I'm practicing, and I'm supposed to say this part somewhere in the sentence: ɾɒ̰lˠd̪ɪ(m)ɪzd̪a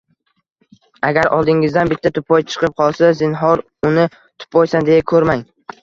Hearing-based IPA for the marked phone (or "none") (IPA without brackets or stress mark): ŋ